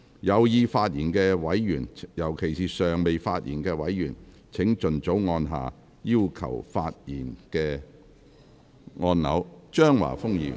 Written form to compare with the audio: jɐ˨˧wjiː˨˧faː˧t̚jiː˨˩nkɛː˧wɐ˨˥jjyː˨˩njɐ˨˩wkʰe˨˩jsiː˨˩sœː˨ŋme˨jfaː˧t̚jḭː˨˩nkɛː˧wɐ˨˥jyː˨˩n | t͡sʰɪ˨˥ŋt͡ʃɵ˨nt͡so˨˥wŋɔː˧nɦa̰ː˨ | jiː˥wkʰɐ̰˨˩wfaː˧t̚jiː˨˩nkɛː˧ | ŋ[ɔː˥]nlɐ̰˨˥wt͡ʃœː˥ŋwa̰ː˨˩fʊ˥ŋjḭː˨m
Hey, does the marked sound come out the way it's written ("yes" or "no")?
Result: no